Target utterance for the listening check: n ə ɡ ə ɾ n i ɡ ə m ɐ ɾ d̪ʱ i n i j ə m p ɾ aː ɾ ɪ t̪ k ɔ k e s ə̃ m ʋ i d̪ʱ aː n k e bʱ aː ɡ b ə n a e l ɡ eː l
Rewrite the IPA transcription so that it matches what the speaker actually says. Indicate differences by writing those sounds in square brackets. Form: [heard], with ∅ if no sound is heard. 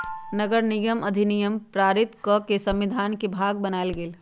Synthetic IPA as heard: n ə ɡ ə ɾ n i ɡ ə m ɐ [∅] d̪ʱ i n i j ə m p ɾ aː ɾ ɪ t̪ k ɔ k e s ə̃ m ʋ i d̪ʱ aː n k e bʱ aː ɡ b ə n a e l ɡ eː l